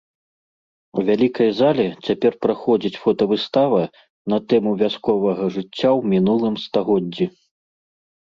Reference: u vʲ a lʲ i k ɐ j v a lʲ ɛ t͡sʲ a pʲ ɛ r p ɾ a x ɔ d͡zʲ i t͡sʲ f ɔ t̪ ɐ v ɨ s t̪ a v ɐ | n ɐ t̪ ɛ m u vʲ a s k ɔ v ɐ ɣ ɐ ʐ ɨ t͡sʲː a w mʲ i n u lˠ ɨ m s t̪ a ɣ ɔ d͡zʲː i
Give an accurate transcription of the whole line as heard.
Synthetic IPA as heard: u vʲ a lʲ i k ɐ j z a lʲ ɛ t͡sʲ a pʲ ɛ r p ɾ a x ɔ d͡zʲ i t͡sʲ f ɔ t̪ ɐ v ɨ s t̪ a v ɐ | n ɐ t̪ ɛ m u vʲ a s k ɔ v ɐ ɣ ɐ ʐ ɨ t͡sʲː a w mʲ i n u lˠ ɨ m s t̪ a ɣ ɔ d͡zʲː i